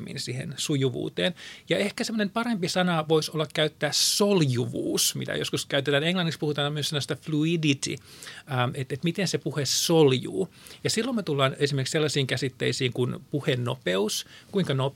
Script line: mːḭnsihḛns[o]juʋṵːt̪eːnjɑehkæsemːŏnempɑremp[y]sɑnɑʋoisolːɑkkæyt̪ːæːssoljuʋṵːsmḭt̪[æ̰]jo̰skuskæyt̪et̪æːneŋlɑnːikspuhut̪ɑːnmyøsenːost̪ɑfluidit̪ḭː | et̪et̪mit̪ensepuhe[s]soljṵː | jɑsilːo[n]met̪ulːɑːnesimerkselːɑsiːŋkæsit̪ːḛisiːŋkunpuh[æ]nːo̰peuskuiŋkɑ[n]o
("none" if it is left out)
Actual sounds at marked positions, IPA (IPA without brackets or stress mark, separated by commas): u, i, æ̰, s, m, e, n